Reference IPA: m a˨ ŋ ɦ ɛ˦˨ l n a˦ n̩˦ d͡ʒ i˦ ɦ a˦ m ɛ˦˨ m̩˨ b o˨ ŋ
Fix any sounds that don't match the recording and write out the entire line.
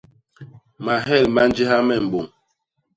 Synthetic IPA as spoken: m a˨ ɦ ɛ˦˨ l m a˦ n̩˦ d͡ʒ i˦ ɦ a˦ m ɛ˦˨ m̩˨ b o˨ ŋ